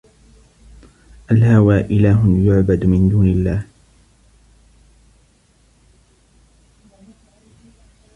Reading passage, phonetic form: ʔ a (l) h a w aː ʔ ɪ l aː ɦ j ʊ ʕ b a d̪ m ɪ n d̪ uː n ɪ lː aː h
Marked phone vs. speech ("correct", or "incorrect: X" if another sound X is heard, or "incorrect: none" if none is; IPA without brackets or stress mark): correct